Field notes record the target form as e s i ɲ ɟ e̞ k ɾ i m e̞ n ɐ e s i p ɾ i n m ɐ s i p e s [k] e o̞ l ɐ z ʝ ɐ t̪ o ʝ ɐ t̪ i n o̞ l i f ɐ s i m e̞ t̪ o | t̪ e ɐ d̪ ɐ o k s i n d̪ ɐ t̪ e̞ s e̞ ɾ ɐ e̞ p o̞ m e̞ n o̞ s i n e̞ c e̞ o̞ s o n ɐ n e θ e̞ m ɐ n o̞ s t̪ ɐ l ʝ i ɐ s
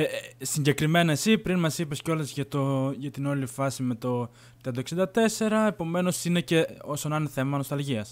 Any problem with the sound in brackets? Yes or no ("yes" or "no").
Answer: yes